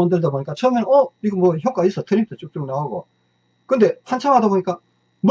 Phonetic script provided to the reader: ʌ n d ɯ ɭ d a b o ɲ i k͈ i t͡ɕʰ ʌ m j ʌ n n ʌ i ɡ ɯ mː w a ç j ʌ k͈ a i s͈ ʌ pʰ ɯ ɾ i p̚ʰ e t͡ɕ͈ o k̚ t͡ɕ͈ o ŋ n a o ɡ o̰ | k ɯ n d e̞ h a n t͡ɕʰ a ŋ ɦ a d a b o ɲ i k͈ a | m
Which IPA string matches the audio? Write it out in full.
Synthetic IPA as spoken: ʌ n d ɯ ɭ d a b o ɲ i k͈ a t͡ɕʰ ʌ m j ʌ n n ʌ i ɡ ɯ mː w ʌ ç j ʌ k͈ a i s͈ ʌ tʰ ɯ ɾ i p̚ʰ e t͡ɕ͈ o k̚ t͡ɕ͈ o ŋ n a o ɡ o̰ | k ɯ n d e̞ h a n t͡ɕʰ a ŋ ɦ a d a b o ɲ i k͈ a | m

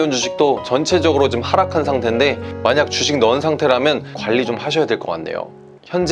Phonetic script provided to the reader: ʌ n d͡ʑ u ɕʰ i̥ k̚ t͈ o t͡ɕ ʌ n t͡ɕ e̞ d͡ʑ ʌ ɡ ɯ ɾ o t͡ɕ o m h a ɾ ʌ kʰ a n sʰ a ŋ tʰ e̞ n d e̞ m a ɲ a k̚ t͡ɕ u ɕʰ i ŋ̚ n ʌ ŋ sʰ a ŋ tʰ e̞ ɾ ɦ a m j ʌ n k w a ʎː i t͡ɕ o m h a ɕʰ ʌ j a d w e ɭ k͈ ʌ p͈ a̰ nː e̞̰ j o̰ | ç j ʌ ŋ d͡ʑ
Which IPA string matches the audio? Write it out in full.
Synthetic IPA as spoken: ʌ n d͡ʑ u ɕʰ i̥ k̚ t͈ o t͡ɕ ʌ n t͡ɕʰ e̞ d͡ʑ ʌ ɡ ɯ ɾ o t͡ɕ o m h a ɾ a kʰ a n sʰ a ŋ tʰ e̞ n d e̞ m a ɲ a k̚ t͡ɕ u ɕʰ i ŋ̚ n ʌ n sʰ a ŋ tʰ e̞ ɾ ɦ a m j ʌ n k w a ʎː i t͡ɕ o m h a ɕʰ ʌ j a d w e ɭ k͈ ʌ k͈ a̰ nː e̞̰ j o̰ | ç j ʌ n d͡ʑ

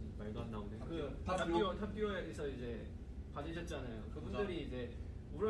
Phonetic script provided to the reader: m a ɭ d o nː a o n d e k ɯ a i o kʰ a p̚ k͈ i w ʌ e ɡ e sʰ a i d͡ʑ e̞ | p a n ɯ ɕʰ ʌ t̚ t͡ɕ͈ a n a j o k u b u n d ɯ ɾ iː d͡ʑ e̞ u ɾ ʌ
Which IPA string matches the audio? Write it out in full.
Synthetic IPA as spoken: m a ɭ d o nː a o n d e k ɯ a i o tʰ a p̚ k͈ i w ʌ e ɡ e sʰ ʌ i d͡ʑ e̞ | p a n ɯ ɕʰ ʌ t̚ t͡ɕ͈ a n a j o k ɯ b u n d ɯ ɾ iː d͡ʑ e̞ u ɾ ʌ

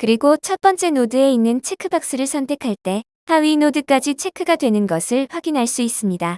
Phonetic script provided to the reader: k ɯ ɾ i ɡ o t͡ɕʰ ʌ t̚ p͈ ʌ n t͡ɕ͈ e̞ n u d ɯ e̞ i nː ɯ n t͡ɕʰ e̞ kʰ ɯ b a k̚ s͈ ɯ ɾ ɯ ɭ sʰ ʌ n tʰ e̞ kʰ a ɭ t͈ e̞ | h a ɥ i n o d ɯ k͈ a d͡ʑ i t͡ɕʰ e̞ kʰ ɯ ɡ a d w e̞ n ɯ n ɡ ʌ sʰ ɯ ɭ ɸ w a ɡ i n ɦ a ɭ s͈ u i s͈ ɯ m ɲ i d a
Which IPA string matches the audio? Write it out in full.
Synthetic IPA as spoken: k ɯ ɾ i ɡ o t͡ɕʰ ʌ t̚ p͈ ʌ n t͡ɕ͈ e̞ n o d ɯ e̞ i nː ɯ n t͡ɕʰ e̞ kʰ ɯ b a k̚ s͈ ɯ ɾ ɯ ɭ sʰ ʌ n tʰ e̞ kʰ a ɭ t͈ e̞ | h a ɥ i n o d ɯ k͈ a d͡ʑ i t͡ɕʰ e̞ kʰ ɯ ɡ a d w e̞ n ɯ n ɡ ʌ sʰ ɯ ɭ ɸ w a ɡ i n ɦ a ɭ s͈ u i s͈ ɯ m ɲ i d a

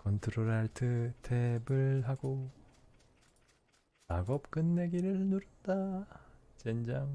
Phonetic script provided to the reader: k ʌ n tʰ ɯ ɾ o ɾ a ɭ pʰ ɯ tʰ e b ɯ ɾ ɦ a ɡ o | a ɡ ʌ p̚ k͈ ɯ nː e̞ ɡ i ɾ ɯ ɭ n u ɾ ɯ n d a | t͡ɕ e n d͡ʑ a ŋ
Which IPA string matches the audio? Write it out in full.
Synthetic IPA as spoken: k ʌ n tʰ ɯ ɾ o ɾ a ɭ tʰ ɯ tʰ e b ɯ ɭ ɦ a ɡ o | a ɡ ʌ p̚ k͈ ɯ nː e̞ ɡ i ɾ ɯ ɭ n u ɾ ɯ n d a | t͡ɕ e n d͡ʑ a ŋ

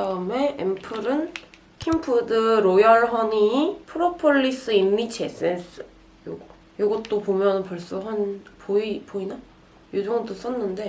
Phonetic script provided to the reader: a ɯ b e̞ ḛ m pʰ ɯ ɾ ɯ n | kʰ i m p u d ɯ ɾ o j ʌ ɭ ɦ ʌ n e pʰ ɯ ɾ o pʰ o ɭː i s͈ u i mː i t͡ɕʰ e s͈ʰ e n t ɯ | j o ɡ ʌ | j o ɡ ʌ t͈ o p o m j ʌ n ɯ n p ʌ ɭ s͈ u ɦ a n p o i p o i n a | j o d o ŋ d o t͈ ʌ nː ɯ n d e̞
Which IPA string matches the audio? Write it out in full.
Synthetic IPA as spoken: a ɯ m e̞ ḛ m pʰ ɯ ɾ ɯ n | kʰ i m pʰ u d ɯ ɾ o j ʌ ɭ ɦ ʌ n i pʰ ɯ ɾ o pʰ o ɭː i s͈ ɯ i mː i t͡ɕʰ e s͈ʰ e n s ɯ | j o ɡ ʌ | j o ɡ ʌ t͈ o p o m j ʌ n ɯ n p ʌ ɭ s͈ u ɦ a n p o i p o i n a | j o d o ŋ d o s͈ ʌ nː ɯ n d e̞

